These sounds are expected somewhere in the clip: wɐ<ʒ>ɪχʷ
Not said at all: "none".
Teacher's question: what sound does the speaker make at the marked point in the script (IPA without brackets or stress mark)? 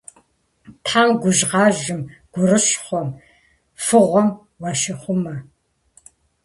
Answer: ʃ